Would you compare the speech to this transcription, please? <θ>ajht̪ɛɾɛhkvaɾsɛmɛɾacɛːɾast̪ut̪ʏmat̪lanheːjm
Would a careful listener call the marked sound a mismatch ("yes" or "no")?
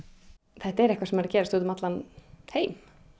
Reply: no